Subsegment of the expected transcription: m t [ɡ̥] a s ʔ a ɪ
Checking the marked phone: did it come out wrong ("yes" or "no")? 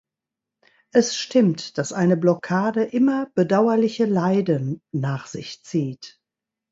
yes